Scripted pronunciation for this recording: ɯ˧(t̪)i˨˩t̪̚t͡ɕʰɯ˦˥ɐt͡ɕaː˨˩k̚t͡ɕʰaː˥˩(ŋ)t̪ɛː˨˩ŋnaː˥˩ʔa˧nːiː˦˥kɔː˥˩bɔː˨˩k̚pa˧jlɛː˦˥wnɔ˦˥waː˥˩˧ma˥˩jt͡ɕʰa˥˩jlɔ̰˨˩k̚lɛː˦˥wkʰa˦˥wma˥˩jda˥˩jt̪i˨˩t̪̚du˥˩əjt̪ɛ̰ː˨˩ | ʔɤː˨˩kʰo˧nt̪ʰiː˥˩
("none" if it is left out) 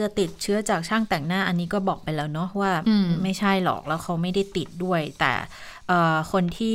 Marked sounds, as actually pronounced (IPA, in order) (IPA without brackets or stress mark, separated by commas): t̪, ŋ